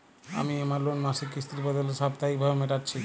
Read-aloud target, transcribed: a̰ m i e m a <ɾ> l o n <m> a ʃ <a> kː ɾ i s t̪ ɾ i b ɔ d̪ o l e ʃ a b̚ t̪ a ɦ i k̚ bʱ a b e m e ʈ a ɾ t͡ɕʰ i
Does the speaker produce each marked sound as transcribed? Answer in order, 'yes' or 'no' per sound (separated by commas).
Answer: yes, yes, no